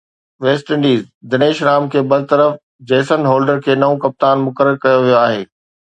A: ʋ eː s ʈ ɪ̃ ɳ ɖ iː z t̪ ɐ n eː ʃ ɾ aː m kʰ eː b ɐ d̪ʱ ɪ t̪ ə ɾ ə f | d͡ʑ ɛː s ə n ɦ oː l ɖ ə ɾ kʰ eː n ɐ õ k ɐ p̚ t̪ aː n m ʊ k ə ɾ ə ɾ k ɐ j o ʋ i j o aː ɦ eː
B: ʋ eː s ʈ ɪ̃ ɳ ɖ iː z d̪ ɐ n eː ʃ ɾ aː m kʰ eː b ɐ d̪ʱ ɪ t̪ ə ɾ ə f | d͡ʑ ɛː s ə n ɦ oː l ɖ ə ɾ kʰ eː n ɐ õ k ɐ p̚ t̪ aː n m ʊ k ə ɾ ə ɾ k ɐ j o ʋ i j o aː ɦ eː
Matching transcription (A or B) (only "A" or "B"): B